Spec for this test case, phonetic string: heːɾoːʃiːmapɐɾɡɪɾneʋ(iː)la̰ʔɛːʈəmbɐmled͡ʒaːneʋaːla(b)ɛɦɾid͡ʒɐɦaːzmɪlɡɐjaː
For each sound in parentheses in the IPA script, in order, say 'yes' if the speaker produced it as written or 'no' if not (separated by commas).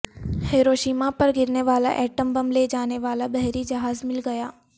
no, yes